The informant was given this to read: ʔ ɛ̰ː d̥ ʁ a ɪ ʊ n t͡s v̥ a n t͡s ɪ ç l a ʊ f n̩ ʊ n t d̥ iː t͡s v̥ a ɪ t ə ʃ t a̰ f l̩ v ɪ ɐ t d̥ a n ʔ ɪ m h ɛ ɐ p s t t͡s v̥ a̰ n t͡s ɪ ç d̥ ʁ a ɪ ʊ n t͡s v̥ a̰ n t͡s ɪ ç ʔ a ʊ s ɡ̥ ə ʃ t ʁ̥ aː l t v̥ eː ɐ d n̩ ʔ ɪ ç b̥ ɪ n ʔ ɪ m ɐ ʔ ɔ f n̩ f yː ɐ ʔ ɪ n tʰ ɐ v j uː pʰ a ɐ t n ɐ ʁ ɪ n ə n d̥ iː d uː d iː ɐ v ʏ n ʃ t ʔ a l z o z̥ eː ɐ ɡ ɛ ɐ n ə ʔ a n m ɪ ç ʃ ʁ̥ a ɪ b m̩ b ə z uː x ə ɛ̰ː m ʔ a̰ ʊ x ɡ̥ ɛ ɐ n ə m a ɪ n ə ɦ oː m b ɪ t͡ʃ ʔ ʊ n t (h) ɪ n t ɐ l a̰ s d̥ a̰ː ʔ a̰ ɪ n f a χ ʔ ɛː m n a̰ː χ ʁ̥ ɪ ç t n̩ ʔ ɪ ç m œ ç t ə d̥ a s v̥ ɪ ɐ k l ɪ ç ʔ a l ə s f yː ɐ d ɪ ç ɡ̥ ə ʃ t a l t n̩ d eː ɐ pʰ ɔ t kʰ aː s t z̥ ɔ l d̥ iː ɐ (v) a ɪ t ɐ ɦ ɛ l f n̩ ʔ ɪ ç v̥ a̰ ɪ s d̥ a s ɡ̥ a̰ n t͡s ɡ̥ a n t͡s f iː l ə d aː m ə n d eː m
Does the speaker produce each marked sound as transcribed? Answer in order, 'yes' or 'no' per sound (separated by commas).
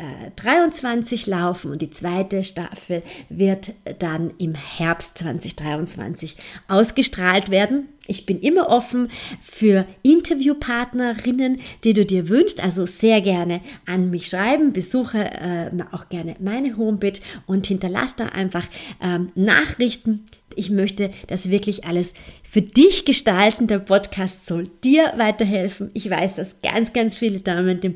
yes, yes